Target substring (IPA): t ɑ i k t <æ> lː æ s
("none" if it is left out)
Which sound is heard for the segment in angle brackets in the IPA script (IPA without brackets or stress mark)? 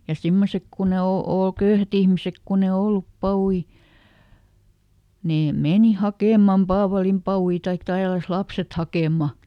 æ